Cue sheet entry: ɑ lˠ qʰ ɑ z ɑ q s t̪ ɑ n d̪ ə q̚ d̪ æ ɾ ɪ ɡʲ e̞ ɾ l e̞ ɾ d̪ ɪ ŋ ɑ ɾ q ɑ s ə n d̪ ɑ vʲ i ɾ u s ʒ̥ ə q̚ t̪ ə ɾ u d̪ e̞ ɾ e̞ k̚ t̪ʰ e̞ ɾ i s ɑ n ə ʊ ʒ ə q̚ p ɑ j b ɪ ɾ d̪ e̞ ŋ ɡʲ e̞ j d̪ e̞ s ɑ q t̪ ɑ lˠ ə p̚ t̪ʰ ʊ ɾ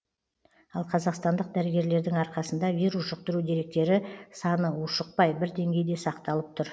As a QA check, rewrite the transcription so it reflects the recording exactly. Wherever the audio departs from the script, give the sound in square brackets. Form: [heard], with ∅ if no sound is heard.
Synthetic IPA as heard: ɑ lˠ qʰ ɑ z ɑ q s t̪ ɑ n d̪ ə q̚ d̪ æ ɾ ɪ ɡʲ e̞ ɾ l e̞ ɾ d̪ ɪ ŋ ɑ ɾ q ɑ s ə n d̪ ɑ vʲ i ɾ u s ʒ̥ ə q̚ t̪ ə ɾ u d̪ e̞ ɾ e̞ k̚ [t̪] e̞ ɾ [ɪ] s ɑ n ə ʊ [ʃ] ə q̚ p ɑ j b ɪ ɾ d̪ e̞ ŋ ɡʲ e̞ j d̪ e̞ s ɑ q t̪ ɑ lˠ ə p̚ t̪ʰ ʊ ɾ